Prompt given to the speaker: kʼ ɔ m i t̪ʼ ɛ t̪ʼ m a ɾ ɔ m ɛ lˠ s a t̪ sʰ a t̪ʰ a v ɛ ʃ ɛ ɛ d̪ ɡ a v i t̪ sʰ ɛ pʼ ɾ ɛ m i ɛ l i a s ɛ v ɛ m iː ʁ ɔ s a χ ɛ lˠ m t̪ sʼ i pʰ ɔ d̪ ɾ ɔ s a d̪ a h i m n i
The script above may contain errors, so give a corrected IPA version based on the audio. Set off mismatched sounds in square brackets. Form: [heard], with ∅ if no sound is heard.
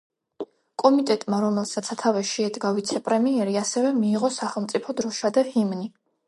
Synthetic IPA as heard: kʼ ɔ m i t̪ʼ ɛ t̪ʼ m a ɾ ɔ m ɛ lˠ s a t̪ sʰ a t̪ʰ a v ɛ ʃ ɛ ɛ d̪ ɡ a v i t̪ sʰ ɛ pʼ ɾ ɛ m i ɛ [ɾ] i a s ɛ v ɛ m iː ʁ ɔ s a χ ɛ lˠ m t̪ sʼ i pʰ ɔ d̪ ɾ ɔ [ʃ] a d̪ a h i m n i

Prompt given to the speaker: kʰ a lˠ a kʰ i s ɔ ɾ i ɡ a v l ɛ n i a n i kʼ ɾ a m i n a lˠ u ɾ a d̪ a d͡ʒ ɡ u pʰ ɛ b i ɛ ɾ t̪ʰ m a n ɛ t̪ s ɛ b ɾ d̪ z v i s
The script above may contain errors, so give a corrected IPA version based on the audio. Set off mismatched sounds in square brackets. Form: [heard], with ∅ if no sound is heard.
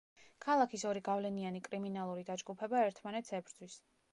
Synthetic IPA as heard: kʰ a lˠ a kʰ i s ɔ ɾ i ɡ a v l ɛ n i a n i kʼ ɾ [i] m i n a lˠ u ɾ [i] d̪ a d͡ʒ ɡ u pʰ ɛ b [a] ɛ ɾ t̪ʰ m a n ɛ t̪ s ɛ b ɾ d̪ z [w] i s

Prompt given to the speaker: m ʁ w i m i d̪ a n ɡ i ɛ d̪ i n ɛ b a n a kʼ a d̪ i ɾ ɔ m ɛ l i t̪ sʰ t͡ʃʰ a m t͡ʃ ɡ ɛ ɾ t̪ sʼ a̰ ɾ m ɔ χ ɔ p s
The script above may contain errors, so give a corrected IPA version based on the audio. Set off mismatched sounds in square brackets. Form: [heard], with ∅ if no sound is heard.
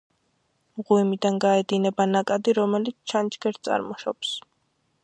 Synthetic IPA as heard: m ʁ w i m i d̪ a n ɡ [a] ɛ d̪ i n ɛ b a n a kʼ a d̪ i ɾ ɔ m ɛ l i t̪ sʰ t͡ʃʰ a [n] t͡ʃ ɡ ɛ ɾ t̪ sʼ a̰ ɾ m ɔ [ʃ] ɔ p s

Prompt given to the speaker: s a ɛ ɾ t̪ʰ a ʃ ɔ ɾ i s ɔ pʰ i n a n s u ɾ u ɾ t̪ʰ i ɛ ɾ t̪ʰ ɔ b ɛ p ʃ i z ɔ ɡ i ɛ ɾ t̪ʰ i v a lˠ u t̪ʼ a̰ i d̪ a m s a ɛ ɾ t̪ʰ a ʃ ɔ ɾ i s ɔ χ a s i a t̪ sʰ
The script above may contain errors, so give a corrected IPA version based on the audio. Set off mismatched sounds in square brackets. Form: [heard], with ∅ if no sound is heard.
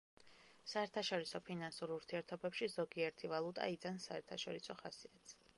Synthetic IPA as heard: s a ɛ ɾ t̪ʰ a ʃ ɔ ɾ i s ɔ pʰ i n a n s u ɾ u ɾ t̪ʰ i ɛ ɾ t̪ʰ ɔ b ɛ p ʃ i z ɔ ɡ i ɛ ɾ t̪ʰ i v a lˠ u t̪ʼ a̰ i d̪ a [n] s a ɛ ɾ t̪ʰ a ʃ ɔ ɾ i s ɔ χ a s i a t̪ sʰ

